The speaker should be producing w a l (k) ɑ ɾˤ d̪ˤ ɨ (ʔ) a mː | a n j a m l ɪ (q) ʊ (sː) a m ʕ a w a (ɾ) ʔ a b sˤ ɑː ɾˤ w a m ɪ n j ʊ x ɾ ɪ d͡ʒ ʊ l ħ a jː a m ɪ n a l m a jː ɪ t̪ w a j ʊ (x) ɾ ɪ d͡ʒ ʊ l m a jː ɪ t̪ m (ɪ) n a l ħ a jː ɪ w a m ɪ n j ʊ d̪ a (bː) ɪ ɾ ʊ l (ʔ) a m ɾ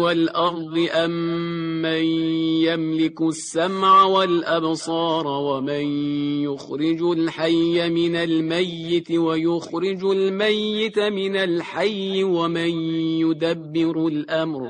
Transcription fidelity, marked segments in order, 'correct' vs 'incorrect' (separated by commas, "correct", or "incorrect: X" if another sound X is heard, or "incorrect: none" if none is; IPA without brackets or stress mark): incorrect: ʔ, correct, incorrect: k, correct, incorrect: l, correct, correct, correct, correct